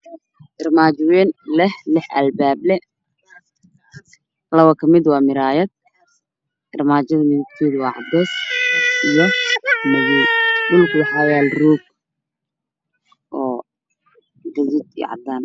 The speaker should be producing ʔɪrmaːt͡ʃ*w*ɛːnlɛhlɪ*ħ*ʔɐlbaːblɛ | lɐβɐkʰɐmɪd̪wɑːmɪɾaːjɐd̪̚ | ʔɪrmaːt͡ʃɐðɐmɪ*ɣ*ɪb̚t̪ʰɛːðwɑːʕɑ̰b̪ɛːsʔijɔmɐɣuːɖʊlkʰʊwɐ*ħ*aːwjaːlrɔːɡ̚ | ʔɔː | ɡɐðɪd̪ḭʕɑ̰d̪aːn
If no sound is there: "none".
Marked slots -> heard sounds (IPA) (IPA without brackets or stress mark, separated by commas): w, ħ, ð, ħ